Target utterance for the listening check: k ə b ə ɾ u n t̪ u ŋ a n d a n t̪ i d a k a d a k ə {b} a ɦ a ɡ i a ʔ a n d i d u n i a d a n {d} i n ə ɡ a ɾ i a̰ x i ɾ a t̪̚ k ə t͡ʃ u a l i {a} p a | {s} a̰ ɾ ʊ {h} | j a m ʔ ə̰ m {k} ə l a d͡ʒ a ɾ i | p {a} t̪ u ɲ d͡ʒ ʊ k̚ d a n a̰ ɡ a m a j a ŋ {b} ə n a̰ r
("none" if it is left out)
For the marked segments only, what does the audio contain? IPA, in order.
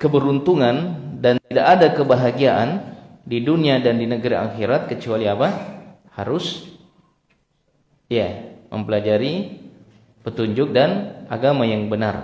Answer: b, d, a, h, s, p, ə, b

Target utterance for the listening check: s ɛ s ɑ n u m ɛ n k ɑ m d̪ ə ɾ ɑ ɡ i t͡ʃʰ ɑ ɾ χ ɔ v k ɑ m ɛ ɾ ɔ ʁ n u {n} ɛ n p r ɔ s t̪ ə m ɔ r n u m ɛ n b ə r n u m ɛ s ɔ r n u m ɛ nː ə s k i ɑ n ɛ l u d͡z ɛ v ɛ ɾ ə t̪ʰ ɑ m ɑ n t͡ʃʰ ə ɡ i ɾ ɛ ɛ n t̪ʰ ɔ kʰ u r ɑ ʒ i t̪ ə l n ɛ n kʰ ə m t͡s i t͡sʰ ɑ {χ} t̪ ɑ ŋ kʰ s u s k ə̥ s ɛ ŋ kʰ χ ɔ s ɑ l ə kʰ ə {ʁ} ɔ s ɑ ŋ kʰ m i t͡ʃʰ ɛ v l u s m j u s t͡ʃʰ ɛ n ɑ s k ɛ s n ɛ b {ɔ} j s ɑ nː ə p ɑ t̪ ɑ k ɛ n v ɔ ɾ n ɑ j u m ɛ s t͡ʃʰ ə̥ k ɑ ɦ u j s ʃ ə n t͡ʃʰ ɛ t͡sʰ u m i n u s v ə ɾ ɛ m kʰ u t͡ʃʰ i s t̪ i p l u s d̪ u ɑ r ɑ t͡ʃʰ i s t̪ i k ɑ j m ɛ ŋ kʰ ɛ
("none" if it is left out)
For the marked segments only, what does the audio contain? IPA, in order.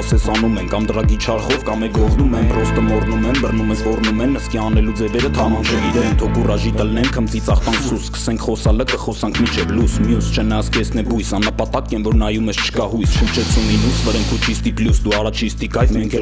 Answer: m, χ, χ, u

